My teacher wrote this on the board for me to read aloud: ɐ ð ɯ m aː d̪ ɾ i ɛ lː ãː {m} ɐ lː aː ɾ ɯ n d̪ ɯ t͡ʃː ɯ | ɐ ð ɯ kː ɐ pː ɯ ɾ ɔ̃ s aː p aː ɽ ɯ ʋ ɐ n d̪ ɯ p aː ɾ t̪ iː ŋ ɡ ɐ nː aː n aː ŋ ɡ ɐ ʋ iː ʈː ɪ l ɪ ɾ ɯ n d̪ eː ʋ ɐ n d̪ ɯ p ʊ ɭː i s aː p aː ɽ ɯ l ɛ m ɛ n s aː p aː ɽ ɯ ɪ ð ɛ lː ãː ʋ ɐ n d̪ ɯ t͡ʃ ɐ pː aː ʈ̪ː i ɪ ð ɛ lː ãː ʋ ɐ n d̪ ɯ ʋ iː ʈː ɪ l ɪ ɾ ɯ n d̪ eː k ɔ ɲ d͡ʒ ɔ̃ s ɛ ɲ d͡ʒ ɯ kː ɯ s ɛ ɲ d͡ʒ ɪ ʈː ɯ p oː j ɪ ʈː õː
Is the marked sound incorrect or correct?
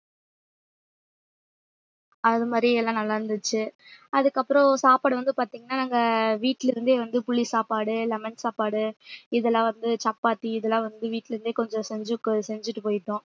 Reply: incorrect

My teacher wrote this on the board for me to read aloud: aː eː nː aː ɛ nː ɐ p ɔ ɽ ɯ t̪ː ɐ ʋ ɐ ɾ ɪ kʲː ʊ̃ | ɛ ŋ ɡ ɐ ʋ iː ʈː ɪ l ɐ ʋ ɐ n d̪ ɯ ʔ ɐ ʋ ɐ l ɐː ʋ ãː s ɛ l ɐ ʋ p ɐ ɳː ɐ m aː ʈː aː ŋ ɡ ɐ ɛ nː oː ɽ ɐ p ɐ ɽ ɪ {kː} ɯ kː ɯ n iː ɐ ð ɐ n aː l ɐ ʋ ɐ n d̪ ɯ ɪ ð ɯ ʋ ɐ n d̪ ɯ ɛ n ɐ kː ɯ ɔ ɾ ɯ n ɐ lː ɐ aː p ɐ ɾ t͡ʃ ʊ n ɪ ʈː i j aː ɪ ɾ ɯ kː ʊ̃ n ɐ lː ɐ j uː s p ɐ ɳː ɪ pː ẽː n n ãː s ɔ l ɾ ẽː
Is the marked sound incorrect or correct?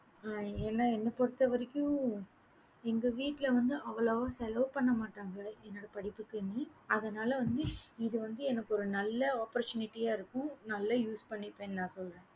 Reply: incorrect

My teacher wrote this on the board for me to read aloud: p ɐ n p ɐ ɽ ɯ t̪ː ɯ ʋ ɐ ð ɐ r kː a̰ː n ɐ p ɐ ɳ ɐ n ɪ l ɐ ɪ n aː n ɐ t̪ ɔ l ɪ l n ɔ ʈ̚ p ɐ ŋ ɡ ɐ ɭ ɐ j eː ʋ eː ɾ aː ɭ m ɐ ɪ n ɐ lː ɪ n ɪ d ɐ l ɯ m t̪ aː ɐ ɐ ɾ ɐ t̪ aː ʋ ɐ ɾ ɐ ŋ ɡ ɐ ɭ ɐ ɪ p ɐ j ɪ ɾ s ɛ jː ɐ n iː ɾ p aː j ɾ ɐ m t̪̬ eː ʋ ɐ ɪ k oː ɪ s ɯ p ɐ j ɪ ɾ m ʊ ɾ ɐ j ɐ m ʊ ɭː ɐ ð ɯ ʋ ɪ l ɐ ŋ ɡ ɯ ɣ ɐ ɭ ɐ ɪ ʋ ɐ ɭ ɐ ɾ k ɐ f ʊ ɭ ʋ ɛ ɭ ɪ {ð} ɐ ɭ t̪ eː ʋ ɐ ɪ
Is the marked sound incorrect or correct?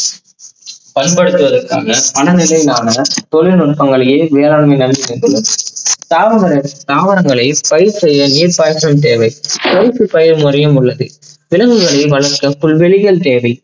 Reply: incorrect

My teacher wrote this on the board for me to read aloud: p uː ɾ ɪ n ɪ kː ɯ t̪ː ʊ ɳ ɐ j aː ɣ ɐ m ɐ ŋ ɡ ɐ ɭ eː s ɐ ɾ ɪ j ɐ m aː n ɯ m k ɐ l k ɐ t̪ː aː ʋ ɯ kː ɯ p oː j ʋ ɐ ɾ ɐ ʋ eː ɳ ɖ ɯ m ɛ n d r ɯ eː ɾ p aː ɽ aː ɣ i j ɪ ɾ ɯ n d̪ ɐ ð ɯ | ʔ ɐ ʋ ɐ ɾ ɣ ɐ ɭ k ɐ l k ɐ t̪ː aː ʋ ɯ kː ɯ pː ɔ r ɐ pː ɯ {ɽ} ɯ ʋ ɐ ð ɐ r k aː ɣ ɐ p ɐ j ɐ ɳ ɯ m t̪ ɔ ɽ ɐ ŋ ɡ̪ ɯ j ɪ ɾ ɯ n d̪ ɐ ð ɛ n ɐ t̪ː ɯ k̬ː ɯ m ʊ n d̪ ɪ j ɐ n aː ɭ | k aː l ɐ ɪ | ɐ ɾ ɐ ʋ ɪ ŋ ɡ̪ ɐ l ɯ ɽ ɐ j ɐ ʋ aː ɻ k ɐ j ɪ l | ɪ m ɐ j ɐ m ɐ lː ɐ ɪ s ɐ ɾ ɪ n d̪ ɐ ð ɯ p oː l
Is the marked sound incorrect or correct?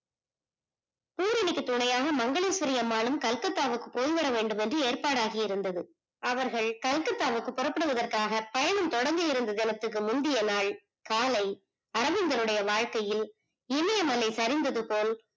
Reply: correct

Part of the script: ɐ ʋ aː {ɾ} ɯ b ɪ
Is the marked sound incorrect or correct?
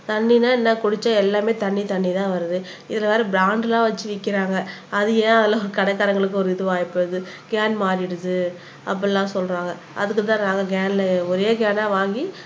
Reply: correct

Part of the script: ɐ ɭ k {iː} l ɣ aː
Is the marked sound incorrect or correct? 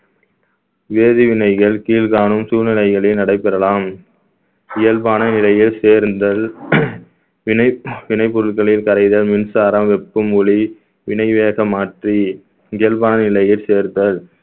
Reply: correct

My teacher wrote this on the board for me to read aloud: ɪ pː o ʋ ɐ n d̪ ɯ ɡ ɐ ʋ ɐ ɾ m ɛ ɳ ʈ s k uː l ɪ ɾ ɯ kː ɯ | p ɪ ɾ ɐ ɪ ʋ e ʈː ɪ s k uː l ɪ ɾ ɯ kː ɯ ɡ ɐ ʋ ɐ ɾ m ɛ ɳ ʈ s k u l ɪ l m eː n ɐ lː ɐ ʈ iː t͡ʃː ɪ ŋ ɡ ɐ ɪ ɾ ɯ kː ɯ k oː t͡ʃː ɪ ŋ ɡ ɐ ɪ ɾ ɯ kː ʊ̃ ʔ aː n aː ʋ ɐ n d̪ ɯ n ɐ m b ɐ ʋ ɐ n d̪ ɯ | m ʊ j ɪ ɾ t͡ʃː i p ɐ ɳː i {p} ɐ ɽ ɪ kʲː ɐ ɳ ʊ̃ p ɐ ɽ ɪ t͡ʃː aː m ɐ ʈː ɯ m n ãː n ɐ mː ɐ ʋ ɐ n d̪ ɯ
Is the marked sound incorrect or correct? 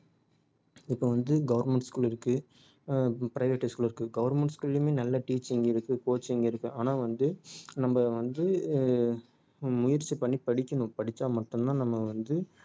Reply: correct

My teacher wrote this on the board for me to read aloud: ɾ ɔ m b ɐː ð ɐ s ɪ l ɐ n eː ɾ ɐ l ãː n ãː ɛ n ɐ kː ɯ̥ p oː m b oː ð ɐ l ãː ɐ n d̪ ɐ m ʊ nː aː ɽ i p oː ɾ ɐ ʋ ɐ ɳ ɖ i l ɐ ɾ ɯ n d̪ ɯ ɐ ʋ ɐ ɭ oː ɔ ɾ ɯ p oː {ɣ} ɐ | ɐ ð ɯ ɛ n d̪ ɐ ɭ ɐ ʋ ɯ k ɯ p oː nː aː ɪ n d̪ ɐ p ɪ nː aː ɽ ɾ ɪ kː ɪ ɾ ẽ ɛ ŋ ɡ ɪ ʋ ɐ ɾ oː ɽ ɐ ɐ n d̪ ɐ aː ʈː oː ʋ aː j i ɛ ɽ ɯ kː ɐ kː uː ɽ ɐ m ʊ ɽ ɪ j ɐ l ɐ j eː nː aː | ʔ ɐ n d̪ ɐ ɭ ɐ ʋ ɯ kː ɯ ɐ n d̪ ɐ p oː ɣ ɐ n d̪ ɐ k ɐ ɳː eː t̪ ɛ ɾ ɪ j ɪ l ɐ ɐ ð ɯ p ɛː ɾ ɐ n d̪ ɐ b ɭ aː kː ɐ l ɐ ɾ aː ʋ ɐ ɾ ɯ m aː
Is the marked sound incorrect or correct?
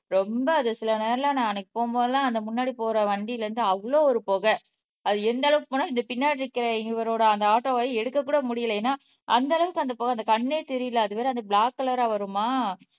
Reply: correct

